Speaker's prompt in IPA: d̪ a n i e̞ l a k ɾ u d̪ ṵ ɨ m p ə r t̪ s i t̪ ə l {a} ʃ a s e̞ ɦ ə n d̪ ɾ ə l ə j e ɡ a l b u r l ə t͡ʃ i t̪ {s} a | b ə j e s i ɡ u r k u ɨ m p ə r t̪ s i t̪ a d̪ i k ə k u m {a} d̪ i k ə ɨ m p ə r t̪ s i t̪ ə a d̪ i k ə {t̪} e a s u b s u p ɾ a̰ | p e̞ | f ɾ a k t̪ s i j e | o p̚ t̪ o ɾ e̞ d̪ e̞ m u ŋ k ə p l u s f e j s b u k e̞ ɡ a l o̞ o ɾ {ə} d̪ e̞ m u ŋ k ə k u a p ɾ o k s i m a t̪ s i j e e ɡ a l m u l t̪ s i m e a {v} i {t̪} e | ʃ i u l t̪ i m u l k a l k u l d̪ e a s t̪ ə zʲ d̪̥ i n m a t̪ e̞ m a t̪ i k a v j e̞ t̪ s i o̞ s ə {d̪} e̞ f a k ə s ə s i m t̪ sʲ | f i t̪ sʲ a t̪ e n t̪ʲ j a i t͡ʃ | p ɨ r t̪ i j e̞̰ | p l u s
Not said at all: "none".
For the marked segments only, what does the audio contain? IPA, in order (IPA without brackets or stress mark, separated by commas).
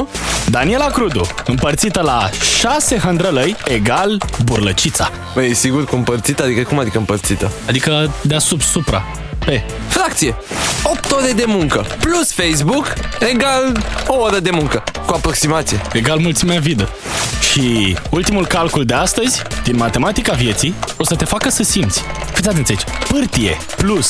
a, s, a, d̪, ə, v, d̪, t̪